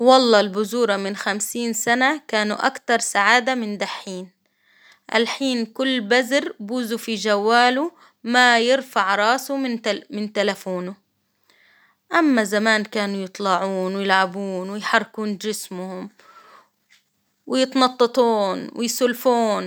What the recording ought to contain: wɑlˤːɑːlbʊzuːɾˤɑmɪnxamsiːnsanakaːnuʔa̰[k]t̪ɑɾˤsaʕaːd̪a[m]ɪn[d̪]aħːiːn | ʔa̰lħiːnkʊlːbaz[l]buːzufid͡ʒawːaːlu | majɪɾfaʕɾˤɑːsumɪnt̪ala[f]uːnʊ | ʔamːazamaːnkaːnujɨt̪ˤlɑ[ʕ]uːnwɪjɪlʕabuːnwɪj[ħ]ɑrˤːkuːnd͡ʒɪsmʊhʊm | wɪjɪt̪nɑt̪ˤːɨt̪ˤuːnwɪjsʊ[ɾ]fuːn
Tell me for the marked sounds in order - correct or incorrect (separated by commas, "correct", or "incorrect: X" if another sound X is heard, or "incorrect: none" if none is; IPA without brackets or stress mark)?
correct, correct, correct, incorrect: ɾ, correct, correct, correct, incorrect: l